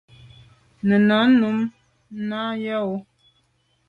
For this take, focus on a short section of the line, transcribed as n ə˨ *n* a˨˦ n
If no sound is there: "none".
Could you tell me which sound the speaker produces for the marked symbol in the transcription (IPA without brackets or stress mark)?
n